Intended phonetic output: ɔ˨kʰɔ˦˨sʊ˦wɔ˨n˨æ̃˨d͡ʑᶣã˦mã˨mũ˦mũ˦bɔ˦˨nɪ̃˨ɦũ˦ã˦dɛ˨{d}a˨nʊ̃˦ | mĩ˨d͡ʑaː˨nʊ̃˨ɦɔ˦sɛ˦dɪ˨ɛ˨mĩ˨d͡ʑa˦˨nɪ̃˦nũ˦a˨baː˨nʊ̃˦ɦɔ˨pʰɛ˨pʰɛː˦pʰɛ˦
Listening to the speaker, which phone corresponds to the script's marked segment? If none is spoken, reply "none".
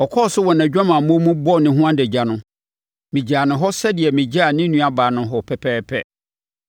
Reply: d͡ʑ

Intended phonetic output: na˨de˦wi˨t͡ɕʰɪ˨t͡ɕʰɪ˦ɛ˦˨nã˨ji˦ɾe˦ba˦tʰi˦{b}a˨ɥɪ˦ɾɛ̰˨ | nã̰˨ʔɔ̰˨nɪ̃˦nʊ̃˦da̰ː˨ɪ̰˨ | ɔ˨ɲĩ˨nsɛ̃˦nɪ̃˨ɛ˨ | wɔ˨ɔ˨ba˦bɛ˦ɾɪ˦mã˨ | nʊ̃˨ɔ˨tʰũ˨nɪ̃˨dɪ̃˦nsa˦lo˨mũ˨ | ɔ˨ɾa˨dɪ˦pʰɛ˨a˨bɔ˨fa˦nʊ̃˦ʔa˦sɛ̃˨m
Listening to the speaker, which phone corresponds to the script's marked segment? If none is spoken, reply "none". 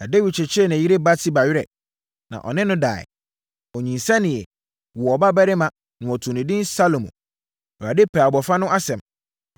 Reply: b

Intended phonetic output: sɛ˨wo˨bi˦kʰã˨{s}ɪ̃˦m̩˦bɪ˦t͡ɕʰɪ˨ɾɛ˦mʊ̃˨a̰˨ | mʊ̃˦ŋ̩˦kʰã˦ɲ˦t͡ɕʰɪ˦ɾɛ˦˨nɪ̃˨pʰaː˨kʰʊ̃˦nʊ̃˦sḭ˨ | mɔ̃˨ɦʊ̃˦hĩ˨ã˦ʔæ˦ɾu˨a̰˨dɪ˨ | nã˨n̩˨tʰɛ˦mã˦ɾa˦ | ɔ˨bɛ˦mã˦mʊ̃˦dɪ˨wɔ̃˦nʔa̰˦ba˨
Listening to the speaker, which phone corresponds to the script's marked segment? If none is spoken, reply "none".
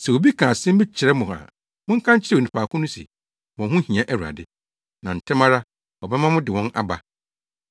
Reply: s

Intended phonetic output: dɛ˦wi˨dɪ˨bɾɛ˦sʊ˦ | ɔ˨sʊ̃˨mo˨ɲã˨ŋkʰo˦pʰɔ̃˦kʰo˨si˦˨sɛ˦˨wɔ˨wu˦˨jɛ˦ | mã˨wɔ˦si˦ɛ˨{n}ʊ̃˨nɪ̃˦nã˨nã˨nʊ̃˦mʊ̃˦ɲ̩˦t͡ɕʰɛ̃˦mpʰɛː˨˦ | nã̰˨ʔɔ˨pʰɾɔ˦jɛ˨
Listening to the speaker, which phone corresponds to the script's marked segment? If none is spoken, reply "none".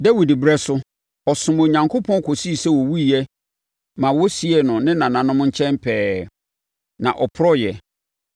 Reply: n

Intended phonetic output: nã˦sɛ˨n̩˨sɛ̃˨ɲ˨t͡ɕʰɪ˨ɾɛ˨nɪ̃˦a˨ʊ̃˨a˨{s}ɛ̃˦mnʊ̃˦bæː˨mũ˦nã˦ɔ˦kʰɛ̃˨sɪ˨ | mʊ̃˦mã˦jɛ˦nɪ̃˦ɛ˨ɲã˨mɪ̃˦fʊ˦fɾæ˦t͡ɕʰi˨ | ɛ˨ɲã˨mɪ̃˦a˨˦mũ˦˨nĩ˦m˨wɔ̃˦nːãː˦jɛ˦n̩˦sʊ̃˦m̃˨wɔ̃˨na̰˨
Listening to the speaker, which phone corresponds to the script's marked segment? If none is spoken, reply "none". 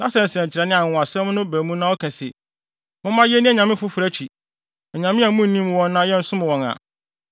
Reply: s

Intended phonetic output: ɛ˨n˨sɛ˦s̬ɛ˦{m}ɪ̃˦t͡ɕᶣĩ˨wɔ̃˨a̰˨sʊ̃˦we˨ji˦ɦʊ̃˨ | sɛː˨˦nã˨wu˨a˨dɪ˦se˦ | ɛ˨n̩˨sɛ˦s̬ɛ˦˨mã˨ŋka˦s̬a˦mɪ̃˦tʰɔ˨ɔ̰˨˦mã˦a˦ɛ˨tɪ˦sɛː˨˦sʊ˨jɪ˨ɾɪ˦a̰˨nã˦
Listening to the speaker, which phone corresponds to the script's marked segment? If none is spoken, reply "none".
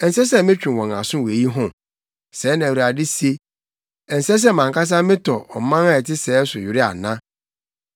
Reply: m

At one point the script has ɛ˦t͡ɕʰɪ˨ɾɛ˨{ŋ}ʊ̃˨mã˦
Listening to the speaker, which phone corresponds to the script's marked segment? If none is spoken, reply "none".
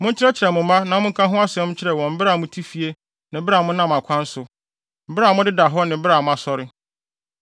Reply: m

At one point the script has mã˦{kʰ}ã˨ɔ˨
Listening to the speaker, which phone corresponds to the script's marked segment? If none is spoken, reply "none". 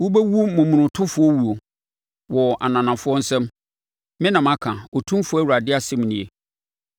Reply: kʰ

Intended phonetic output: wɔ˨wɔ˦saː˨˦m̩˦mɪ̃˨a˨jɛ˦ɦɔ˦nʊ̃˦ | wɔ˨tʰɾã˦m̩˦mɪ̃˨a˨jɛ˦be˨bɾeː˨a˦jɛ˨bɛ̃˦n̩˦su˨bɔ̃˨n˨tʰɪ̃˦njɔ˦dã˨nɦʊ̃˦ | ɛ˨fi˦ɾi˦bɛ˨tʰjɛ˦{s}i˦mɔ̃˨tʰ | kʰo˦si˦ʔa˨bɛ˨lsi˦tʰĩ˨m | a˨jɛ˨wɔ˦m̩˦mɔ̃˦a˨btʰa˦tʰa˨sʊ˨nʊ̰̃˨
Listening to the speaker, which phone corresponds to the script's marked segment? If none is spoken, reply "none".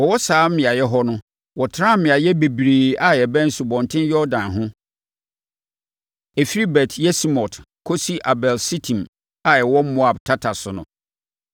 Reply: s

